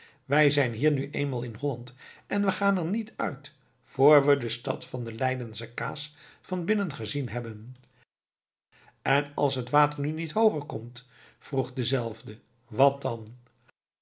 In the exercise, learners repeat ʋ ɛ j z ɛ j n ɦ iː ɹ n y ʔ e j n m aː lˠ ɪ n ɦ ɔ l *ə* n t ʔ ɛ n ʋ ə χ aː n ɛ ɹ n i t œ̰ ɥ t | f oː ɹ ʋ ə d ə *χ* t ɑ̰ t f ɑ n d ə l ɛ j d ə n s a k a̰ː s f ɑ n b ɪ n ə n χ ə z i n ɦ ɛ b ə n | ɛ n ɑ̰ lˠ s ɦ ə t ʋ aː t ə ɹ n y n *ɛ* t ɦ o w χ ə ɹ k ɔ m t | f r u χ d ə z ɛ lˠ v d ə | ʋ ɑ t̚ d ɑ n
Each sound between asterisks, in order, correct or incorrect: incorrect, incorrect, incorrect

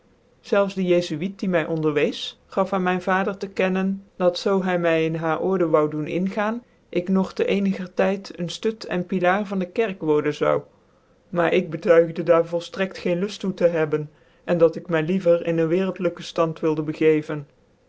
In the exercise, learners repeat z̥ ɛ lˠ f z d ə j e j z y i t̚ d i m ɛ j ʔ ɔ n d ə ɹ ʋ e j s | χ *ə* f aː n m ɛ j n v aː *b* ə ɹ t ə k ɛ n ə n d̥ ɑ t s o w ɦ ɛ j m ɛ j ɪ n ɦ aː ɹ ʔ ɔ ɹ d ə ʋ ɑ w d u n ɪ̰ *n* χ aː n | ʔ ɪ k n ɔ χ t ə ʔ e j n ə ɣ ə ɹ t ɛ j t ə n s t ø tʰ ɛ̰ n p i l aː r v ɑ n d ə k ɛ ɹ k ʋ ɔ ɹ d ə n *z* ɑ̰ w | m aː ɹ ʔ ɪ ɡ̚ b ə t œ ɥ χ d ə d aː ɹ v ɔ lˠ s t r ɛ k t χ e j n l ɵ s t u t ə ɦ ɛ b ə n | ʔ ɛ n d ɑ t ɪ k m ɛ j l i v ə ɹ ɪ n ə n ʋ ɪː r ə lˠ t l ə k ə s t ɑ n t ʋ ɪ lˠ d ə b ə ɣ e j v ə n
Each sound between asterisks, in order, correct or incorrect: incorrect, incorrect, correct, correct

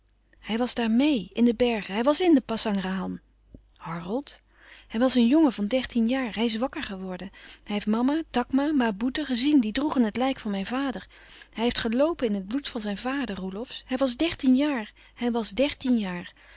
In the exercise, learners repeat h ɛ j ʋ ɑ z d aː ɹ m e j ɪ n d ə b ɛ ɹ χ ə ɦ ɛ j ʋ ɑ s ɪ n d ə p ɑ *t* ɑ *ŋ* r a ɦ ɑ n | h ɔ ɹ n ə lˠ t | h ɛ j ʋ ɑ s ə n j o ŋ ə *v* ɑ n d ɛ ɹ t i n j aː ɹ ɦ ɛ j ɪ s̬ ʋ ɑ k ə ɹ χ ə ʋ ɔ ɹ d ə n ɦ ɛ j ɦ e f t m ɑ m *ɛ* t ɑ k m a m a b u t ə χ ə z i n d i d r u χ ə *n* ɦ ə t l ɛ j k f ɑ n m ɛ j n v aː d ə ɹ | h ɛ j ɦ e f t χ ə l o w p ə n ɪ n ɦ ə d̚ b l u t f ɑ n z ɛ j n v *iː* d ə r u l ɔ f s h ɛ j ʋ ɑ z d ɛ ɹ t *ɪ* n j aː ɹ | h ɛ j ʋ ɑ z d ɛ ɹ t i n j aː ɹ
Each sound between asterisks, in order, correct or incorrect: incorrect, correct, correct, incorrect, correct, incorrect, incorrect

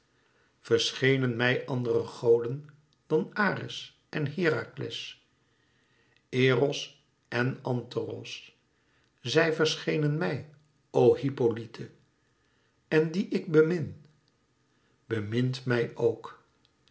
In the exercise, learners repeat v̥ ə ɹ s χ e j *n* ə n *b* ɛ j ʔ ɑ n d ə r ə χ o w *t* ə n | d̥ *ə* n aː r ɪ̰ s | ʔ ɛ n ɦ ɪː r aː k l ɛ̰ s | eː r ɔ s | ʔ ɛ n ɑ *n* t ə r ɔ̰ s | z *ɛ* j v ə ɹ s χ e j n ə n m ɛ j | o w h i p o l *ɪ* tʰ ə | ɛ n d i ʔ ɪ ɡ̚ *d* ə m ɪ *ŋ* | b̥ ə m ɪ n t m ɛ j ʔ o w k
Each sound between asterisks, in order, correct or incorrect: correct, incorrect, incorrect, incorrect, correct, correct, incorrect, incorrect, incorrect

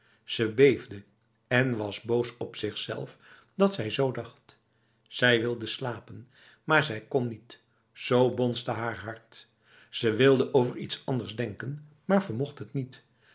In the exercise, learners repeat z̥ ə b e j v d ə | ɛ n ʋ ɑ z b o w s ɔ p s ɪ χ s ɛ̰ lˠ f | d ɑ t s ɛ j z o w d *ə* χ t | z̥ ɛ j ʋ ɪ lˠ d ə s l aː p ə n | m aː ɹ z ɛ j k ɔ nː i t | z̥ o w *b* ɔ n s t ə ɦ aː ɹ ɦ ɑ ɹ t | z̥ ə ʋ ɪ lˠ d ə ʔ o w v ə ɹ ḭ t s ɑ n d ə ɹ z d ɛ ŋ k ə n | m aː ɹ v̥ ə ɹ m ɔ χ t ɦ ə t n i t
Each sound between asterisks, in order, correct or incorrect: incorrect, correct

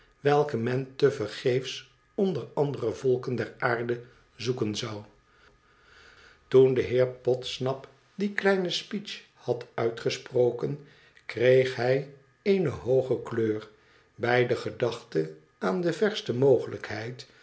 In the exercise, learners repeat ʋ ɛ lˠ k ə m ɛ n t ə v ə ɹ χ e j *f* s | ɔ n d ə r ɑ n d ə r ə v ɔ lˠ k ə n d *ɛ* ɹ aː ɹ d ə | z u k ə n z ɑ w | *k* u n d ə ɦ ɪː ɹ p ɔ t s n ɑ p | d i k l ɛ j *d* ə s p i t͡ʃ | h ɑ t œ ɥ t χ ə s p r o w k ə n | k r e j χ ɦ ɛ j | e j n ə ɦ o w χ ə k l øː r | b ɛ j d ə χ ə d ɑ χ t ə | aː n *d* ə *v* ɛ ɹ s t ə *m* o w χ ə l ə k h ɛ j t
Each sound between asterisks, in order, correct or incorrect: correct, correct, incorrect, incorrect, correct, correct, correct

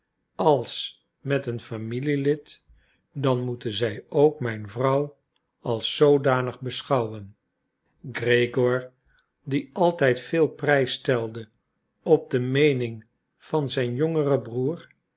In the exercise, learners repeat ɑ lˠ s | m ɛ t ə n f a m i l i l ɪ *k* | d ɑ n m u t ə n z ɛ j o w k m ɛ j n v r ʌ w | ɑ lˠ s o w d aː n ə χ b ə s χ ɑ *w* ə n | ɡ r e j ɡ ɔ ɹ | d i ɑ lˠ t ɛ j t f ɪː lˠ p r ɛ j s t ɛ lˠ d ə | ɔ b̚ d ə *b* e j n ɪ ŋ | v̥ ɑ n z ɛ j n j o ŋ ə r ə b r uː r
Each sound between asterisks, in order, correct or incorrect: incorrect, correct, incorrect

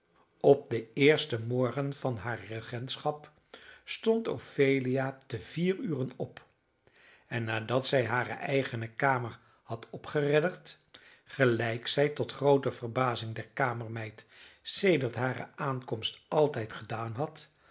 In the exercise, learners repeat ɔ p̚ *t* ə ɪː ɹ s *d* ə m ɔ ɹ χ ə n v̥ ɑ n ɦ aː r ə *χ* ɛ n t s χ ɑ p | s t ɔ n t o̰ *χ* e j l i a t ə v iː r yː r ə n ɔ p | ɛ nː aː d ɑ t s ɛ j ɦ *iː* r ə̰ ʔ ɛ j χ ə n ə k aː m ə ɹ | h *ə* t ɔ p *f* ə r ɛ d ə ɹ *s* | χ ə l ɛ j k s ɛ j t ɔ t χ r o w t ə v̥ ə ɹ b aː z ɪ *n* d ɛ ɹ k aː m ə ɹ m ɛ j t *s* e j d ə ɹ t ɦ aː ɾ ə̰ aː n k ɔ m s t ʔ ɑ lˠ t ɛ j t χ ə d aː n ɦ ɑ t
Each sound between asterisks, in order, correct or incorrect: incorrect, incorrect, correct, incorrect, incorrect, incorrect, incorrect, incorrect, incorrect, correct

